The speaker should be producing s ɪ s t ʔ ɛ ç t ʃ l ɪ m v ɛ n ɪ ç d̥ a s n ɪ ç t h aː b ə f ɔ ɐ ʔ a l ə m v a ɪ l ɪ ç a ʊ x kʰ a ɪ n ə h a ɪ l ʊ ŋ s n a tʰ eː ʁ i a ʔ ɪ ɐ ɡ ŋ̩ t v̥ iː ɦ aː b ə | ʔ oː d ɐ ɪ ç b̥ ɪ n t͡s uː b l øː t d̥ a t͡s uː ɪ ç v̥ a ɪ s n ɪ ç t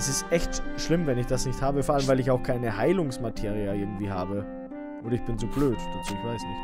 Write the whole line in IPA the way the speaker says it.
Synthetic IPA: s ɪ s t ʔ ɛ ç t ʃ l ɪ m v ɛ n ɪ ç d̥ a s n ɪ ç t h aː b ə f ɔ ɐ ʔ a l ə m v a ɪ l ɪ ç a ʊ x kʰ a ɪ n ə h a ɪ l ʊ ŋ s m a tʰ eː ʁ i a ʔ ɪ ɐ ɡ ŋ̩ t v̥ iː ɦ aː b ə | ʔ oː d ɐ ɪ ç b̥ ɪ n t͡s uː b l øː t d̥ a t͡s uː ɪ ç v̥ a ɪ s n ɪ ç t